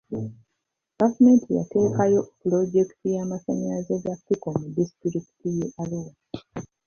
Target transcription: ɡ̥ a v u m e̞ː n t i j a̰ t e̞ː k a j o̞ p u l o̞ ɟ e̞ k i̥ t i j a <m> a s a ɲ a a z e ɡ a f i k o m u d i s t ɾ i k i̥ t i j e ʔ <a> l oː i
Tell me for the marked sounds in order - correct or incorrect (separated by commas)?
correct, correct